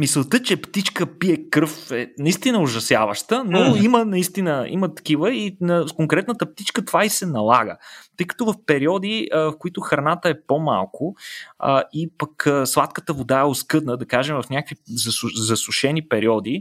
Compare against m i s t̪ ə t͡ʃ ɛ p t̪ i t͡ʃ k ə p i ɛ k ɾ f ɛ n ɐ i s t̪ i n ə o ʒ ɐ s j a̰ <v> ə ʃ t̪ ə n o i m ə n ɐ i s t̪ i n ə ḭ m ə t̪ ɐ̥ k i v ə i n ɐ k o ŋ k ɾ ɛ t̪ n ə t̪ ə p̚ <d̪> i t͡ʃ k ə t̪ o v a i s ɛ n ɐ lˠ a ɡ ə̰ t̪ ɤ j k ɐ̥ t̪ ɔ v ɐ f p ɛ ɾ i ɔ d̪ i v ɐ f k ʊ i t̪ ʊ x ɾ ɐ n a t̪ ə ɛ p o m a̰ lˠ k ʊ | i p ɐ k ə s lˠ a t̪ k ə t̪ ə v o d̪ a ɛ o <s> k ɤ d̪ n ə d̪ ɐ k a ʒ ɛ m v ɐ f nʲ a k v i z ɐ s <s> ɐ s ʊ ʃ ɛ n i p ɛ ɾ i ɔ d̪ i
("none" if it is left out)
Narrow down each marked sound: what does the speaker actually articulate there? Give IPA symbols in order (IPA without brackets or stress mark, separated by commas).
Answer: v, t̪, s, z